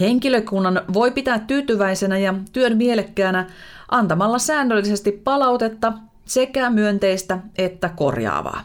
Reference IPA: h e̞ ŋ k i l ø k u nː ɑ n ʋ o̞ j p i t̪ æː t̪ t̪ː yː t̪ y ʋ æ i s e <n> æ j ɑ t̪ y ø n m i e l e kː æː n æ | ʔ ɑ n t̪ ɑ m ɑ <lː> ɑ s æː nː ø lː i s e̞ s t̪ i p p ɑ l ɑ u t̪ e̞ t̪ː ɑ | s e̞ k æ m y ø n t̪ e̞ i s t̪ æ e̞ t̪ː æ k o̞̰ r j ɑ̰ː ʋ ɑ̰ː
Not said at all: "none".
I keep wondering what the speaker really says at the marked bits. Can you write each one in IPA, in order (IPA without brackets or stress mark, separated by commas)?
n, lː